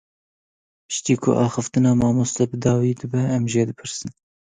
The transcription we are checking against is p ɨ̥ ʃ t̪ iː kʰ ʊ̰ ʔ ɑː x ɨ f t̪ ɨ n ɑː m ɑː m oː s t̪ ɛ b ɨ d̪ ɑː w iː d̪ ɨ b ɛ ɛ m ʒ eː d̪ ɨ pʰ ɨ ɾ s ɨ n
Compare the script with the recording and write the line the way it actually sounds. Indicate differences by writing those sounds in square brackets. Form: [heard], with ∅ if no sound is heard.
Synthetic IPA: p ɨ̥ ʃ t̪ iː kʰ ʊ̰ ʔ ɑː x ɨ f t̪ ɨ n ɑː m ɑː m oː s t̪ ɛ b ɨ d̪ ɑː w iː d̪ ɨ b ɛ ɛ m ʒ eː d̪ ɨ pʰ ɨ ɾ s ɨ n